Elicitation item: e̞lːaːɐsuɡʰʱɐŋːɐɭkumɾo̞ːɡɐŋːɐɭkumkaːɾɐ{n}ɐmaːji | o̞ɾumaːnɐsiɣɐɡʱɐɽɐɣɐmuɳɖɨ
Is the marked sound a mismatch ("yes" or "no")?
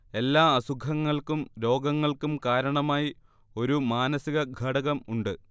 yes